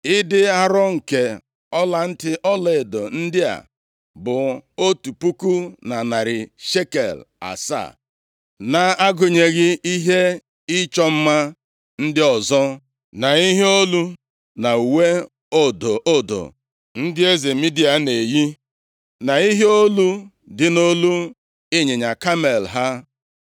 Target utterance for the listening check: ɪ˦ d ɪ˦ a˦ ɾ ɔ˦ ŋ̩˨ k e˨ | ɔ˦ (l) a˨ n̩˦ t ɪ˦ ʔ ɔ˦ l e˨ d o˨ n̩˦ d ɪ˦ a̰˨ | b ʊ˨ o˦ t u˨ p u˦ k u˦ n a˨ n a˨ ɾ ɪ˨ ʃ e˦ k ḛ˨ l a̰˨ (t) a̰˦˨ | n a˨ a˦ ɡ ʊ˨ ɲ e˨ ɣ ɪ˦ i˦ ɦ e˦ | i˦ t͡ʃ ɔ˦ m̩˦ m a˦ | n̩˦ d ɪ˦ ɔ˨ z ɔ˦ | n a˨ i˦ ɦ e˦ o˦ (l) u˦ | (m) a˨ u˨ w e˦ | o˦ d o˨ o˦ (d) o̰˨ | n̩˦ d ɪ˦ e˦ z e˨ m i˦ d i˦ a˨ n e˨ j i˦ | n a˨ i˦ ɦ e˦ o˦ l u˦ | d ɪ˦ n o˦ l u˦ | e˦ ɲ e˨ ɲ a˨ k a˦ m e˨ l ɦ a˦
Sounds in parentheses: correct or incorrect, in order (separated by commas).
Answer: correct, incorrect, correct, incorrect, correct